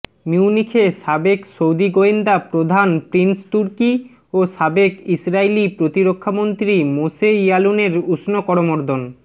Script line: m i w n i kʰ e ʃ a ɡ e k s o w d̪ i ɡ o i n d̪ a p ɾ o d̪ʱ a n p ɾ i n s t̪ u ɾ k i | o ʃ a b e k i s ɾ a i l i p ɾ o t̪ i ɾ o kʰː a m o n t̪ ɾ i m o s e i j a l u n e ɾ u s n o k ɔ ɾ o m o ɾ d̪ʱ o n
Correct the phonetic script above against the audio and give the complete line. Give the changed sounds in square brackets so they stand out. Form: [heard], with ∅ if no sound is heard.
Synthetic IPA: m i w n i kʰ e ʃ a [b] e k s o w d̪ i ɡ o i n d̪ a p ɾ o d̪ʱ a n p ɾ i n s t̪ u ɾ k i | o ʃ a b e k i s ɾ a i l i p ɾ o t̪ i ɾ o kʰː a m o n t̪ ɾ i m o s e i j a l u n e ɾ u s n o k ɔ ɾ o m o ɾ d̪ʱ o n